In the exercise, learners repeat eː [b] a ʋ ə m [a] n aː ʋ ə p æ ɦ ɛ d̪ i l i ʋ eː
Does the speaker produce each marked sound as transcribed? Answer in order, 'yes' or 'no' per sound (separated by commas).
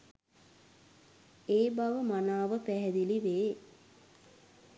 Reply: yes, yes